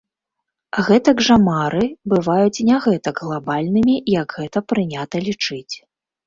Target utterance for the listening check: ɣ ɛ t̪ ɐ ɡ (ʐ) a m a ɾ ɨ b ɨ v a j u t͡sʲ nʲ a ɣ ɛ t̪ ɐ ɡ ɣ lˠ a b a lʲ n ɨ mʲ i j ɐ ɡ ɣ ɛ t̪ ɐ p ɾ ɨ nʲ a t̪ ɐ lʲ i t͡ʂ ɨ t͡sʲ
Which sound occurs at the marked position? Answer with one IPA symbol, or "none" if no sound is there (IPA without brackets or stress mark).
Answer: ʐ